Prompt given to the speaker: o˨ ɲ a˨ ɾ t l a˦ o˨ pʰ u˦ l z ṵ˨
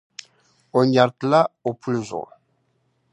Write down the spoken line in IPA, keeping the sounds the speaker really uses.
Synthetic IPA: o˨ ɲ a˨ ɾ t l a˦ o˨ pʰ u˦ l z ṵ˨